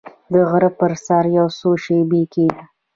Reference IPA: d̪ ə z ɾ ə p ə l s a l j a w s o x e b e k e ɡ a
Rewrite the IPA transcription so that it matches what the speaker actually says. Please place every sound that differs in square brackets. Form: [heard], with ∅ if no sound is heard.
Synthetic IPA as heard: d̪ ə [ɣ] ɾ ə p ə [ɾ] s a [ɾ] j a w s o [ʃ] e b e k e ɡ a